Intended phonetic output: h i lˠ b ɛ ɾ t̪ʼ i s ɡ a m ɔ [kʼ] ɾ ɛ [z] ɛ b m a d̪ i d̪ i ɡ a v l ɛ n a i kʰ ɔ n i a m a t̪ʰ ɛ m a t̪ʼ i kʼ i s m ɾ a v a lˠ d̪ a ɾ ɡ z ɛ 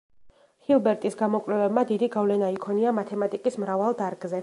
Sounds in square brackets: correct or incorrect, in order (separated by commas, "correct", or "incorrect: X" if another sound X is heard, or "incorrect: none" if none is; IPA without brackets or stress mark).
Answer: correct, incorrect: v